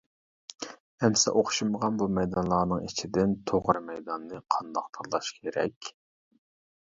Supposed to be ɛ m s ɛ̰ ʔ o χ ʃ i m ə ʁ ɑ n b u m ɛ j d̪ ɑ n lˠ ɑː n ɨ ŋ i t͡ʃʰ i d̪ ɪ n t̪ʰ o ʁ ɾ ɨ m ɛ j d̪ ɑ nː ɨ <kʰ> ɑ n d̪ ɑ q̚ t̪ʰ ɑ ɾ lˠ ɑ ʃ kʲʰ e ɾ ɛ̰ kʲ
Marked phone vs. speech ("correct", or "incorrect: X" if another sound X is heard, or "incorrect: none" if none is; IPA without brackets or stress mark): incorrect: qʰ